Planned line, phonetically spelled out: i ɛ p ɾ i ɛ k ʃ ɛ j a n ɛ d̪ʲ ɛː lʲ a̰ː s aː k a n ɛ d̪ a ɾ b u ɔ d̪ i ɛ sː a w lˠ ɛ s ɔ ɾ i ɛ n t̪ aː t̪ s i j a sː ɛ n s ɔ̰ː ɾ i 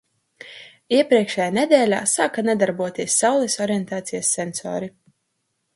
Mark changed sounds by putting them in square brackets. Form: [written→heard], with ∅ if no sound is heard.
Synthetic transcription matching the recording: i ɛ p ɾ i ɛ k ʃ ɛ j a n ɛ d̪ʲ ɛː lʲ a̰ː s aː k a n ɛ d̪ a ɾ b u ɔ [d̪→t̪] i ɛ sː a w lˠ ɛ s ɔ ɾ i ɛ n t̪ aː t̪ s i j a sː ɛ n s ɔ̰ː ɾ i